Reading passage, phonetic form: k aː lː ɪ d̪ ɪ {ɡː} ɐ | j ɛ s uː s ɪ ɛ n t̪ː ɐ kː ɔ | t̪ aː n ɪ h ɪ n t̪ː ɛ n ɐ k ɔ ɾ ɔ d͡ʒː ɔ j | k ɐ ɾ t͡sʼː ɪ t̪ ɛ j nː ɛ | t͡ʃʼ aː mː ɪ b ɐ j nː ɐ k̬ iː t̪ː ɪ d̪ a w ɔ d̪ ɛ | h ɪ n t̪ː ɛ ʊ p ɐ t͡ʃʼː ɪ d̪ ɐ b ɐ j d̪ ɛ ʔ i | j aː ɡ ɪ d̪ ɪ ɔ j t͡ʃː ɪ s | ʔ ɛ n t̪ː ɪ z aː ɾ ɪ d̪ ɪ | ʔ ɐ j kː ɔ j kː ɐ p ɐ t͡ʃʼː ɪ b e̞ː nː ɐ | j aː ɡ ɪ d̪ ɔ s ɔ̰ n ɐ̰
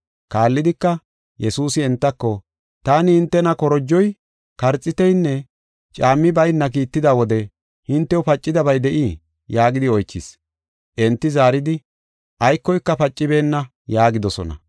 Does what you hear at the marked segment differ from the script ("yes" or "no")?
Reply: yes